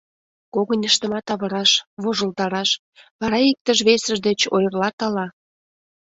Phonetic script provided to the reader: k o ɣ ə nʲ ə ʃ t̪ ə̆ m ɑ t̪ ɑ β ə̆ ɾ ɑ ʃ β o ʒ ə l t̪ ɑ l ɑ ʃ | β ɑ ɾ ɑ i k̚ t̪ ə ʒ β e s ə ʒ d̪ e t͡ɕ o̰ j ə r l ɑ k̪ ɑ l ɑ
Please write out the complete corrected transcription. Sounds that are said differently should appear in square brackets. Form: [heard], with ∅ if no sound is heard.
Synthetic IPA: k o ɣ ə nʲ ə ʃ t̪ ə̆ m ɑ t̪ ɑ β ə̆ ɾ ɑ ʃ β o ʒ ə l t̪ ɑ [ɾ] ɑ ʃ | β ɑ ɾ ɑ i k̚ t̪ ə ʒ β e s ə ʒ d̪ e t͡ɕ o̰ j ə r l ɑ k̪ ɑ l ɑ